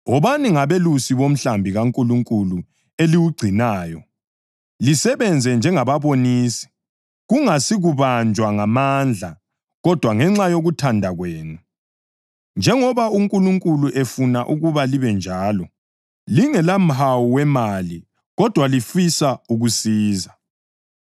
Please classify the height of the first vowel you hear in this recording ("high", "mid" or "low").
mid